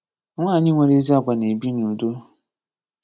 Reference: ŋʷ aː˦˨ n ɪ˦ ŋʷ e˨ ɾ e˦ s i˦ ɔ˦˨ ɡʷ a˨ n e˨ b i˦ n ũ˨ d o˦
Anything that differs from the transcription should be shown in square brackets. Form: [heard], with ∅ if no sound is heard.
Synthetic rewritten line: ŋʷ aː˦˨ [ɲ] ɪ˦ ŋʷ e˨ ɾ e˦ [z] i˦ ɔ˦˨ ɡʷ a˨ n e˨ b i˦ n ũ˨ d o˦